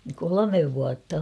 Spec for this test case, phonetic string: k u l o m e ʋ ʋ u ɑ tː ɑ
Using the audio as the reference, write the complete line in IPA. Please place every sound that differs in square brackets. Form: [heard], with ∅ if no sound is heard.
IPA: k [o] l o m e ʋ ʋ u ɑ tː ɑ